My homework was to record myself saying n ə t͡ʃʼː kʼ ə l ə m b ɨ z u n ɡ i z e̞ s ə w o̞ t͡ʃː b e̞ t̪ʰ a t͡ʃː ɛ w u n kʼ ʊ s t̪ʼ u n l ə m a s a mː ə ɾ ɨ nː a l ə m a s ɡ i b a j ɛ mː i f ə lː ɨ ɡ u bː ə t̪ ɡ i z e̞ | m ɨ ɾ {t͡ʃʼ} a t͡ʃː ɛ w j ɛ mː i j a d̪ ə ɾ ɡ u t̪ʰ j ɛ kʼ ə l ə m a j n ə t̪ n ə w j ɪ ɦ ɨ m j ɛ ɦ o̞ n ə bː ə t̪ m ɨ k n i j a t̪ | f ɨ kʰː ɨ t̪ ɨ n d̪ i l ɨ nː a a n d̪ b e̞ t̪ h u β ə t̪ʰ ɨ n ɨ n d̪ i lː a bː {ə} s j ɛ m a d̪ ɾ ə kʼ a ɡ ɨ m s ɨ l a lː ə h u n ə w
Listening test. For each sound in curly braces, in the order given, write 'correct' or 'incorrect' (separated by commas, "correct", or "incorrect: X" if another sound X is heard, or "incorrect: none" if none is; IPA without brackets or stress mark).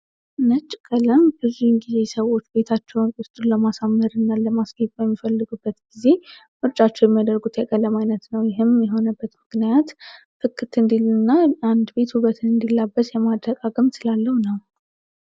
correct, correct